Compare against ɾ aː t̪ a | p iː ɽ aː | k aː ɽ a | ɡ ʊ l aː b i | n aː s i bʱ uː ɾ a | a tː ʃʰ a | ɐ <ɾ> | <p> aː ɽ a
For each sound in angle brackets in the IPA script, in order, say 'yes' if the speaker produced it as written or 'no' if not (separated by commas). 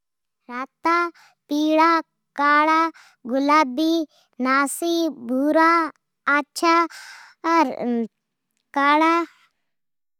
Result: yes, no